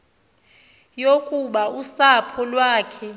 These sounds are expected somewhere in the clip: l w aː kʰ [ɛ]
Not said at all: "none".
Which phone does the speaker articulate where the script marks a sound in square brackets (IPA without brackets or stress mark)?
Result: ɛ